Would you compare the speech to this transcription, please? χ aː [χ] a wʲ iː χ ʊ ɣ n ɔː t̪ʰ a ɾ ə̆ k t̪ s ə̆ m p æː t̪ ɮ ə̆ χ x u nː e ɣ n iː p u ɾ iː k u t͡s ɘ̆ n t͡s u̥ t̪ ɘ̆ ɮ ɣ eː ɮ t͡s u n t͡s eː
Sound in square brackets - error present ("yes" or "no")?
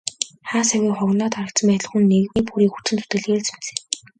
yes